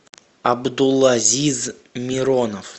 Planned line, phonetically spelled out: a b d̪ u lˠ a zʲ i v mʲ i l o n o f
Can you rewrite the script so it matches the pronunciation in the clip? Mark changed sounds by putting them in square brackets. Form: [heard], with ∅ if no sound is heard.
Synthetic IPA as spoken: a b d̪ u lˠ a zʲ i [z] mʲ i [ɾ] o n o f

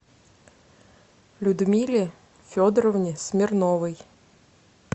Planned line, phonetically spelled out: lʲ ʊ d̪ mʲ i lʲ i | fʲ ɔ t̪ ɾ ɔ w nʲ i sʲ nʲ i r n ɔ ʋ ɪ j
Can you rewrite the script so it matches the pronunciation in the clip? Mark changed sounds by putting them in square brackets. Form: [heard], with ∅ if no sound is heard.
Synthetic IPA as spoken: lʲ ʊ d̪ mʲ i lʲ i | fʲ ɔ [d̪] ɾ ɔ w nʲ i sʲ [mʲ] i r n ɔ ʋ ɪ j

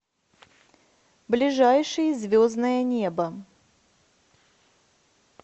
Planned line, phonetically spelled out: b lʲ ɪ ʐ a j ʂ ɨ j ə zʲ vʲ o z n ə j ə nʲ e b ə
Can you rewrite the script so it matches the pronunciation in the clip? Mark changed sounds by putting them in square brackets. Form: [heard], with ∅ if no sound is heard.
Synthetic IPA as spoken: b lʲ ɪ ʐ a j ʂ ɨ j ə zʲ vʲ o z n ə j ə nʲ e b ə

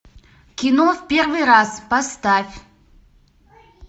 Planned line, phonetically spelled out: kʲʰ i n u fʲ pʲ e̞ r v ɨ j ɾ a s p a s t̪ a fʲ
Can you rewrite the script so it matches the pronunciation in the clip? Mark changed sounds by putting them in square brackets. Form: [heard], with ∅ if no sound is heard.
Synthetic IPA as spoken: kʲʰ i n [o] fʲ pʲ e̞ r v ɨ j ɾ a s p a s t̪ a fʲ

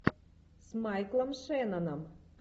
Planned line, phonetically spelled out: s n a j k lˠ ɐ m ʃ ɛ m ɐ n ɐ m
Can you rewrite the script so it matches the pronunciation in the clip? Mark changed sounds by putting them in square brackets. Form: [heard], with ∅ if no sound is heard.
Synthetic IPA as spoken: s [m] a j k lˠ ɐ m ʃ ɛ [n] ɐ n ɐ m

